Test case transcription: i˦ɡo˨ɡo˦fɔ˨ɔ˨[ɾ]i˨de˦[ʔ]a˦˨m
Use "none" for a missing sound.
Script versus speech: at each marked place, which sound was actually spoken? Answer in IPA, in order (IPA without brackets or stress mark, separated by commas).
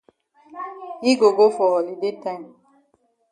l, t